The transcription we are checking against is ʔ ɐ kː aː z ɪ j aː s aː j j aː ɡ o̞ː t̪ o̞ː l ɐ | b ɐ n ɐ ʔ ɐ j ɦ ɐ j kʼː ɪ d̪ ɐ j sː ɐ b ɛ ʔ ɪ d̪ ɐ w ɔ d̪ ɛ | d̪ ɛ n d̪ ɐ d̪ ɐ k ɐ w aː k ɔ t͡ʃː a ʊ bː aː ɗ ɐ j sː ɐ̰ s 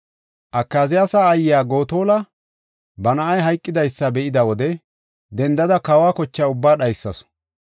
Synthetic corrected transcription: ʔ ɐ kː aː z ɪ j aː s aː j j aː ɡ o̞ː t̪ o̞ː l ɐ | b ɐ n ɐ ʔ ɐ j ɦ ɐ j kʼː ɪ d̪ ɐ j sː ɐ b ɛ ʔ ɪ d̪ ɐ w ɔ d̪ ɛ | d̪ ɛ n d̪ ɐ d̪ ɐ k ɐ w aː k ɔ t͡ʃː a ʊ bː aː ɗ ɐ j sː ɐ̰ s